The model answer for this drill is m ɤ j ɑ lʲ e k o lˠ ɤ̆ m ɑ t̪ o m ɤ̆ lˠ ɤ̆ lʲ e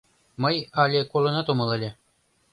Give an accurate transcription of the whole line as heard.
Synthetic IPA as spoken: m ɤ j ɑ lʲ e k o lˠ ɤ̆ n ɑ t̪ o m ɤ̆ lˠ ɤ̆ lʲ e